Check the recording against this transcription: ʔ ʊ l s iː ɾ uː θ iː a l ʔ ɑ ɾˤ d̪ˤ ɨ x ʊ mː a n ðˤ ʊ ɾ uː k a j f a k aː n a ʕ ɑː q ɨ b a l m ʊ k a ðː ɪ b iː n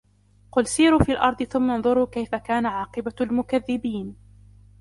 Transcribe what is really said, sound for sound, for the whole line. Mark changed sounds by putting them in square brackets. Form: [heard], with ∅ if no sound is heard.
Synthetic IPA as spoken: [q] ʊ l s iː ɾ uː [f] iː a l ʔ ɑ ɾˤ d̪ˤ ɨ [θ] ʊ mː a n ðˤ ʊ ɾ uː k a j f a k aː n a ʕ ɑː q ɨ b a l m ʊ k a ðː ɪ b iː n